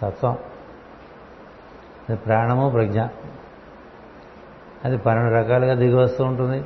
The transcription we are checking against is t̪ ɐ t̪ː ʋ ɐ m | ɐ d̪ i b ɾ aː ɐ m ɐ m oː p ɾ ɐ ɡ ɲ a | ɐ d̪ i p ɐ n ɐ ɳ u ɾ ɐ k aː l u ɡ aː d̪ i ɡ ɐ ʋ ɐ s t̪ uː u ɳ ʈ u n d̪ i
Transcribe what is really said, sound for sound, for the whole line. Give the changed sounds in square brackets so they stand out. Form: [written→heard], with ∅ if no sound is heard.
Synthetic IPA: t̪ ɐ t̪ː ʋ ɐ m | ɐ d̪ i [b→p] ɾ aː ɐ [m→ɳ] ɐ m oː p ɾ ɐ ɡ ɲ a | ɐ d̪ i p ɐ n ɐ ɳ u ɾ ɐ k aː l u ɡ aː d̪ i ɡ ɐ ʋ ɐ s t̪ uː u ɳ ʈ u n d̪ i